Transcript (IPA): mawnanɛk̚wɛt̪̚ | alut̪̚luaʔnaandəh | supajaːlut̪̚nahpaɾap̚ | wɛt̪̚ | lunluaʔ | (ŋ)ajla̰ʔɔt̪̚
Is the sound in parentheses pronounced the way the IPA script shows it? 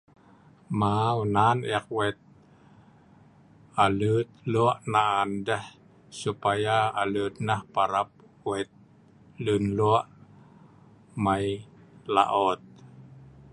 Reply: no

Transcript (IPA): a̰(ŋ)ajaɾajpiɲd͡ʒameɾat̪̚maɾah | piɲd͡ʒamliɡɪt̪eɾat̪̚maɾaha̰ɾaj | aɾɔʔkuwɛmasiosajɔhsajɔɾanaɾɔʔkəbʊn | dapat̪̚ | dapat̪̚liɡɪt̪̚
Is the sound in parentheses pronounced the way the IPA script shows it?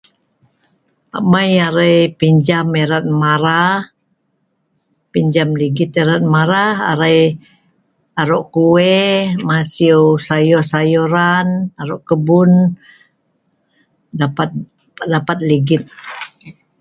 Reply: no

